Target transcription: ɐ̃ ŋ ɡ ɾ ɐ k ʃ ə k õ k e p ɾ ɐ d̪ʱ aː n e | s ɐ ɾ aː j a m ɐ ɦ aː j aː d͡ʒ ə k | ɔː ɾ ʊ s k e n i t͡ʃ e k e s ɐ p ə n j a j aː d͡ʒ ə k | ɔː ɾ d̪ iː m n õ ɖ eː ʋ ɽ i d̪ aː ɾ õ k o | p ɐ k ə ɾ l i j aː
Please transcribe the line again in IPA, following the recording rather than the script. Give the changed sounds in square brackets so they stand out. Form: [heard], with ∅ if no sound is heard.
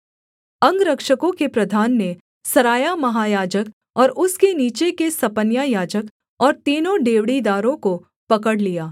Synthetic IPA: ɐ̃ ŋ ɡ ɾ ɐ k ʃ ə k õ k e p ɾ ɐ d̪ʱ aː [nː] e | s ɐ ɾ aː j a m ɐ ɦ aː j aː d͡ʒ ə k | ɔː ɾ ʊ s k e n [iː] t͡ʃ e k e s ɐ p ə n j a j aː d͡ʒ ə k | ɔː ɾ [t̪] iː [∅] n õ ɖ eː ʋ ɽ i d̪ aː ɾ õ k o | p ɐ k ə [ɽ] l i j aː